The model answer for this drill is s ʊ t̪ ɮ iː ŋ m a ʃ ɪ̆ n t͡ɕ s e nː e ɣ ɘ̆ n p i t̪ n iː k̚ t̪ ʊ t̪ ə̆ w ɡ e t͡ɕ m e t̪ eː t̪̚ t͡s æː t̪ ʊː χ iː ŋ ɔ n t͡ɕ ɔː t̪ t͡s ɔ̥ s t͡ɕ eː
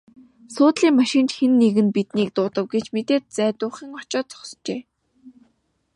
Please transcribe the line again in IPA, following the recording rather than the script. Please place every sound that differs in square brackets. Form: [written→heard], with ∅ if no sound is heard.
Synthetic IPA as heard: s [ʊ→ʊː] t̪ ɮ iː ŋ m a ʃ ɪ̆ n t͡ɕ [s→x] e nː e ɣ ɘ̆ n p i t̪ n iː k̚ t̪ [ʊ→ʊː] t̪ ə̆ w ɡ e t͡ɕ m e t̪ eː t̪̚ t͡s æː t̪ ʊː χ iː ŋ ɔ [n→∅] t͡ɕ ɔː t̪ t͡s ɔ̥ s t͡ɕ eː